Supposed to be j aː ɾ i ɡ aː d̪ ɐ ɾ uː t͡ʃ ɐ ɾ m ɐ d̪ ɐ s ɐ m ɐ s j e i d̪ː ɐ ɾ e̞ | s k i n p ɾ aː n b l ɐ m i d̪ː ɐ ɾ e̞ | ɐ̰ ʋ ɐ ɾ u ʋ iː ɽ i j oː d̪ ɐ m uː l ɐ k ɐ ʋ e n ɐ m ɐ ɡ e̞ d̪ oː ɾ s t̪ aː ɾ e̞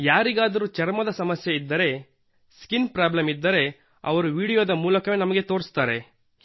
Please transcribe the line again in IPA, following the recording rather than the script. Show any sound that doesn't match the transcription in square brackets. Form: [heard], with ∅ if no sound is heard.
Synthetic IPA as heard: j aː ɾ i ɡ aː d̪ ɐ ɾ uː t͡ʃ ɐ ɾ m ɐ d̪ ɐ s ɐ m ɐ s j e i d̪ː ɐ ɾ e̞ | s k i n p ɾ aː [∅] b l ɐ m i d̪ː ɐ ɾ e̞ | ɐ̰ ʋ ɐ ɾ u ʋ iː ɽ i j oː d̪ ɐ m uː l ɐ k ɐ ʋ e n ɐ m ɐ ɡ e̞ [t̪] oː ɾ s t̪ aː ɾ e̞